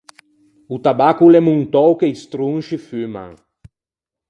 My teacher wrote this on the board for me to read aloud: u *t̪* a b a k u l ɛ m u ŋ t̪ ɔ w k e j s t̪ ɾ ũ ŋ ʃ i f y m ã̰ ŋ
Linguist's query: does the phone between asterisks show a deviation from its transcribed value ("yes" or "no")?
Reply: no